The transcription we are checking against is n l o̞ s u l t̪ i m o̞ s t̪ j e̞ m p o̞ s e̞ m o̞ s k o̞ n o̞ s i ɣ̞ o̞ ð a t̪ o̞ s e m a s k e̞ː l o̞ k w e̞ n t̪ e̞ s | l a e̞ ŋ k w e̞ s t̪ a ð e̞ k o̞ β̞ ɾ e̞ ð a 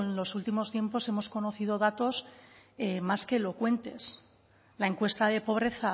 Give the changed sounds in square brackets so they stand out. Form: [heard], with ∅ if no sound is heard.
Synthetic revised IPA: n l o̞ s u l t̪ i m o̞ s t̪ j e̞ m p o̞ s e̞ m o̞ s k o̞ n o̞ [θ] i [ð̞] o̞ ð a t̪ o̞ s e m a s k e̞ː l o̞ k w e̞ n t̪ e̞ s | l a e̞ ŋ k w e̞ s t̪ a ð e̞ [p] o̞ β̞ ɾ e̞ [θ] a